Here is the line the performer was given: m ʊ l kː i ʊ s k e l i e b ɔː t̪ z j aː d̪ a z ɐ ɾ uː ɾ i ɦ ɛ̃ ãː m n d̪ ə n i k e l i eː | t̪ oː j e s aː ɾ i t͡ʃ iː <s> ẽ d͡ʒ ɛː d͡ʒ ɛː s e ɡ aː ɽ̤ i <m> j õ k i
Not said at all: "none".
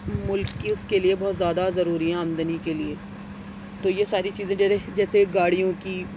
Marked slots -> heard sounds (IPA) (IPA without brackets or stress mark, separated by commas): z, none